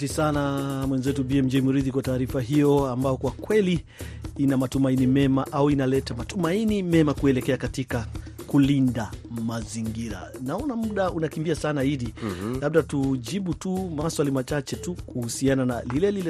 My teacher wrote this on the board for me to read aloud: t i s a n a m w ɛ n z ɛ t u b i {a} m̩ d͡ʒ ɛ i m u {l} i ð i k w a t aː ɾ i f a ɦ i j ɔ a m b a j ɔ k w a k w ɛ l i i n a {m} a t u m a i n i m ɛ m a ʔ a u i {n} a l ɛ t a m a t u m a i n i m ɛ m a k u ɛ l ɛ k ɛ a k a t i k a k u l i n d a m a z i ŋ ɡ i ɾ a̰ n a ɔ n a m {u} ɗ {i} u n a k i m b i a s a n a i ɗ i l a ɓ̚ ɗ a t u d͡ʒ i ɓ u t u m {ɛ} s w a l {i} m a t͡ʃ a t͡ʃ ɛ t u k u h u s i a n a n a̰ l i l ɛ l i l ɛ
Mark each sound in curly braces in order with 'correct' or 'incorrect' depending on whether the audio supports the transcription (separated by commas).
incorrect, incorrect, correct, correct, correct, incorrect, incorrect, correct